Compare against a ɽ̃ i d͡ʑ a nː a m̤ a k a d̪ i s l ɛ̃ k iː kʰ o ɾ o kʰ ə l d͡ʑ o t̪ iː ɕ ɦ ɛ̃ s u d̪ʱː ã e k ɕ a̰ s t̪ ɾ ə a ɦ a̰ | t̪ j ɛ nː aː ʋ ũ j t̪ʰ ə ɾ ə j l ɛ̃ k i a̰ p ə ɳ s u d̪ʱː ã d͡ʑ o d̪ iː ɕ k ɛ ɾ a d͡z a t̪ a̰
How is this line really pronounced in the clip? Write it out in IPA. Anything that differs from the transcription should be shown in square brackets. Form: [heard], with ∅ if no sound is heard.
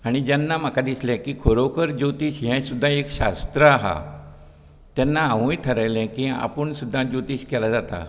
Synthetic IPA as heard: a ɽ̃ i d͡ʑ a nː a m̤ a k a d̪ i s l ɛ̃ k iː kʰ o ɾ o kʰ ə [ɾ] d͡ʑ o t̪ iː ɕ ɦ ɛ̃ s u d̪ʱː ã e k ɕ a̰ s t̪ ɾ ə a ɦ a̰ | t̪ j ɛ nː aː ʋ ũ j t̪ʰ ə ɾ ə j l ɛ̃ k i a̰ p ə ɳ s u d̪ʱː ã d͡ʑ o [t̪] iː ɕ k ɛ [l] a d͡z a t̪ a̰